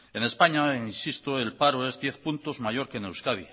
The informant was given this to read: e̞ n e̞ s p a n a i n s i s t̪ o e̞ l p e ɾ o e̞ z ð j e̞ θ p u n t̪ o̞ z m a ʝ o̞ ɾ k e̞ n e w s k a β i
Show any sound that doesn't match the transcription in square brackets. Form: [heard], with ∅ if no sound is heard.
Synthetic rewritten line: e̞ n e̞ s p a [ɲ] a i n s i s t̪ o e̞ l p [a] ɾ o e̞ z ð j e̞ θ p u n t̪ o̞ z m a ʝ o̞ ɾ k e̞ n e w s k a β i